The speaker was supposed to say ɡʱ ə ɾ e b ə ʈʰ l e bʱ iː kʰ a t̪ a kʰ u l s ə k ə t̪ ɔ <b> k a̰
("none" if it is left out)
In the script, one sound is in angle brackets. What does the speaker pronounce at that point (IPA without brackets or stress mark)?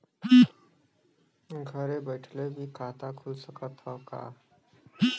none